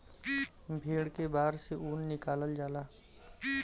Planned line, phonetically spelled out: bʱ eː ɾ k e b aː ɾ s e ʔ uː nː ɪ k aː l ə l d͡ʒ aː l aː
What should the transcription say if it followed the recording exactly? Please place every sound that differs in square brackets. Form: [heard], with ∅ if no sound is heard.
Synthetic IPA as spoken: bʱ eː [ɽ] k e b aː ɾ s e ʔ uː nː ɪ k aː l ə l d͡ʒ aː l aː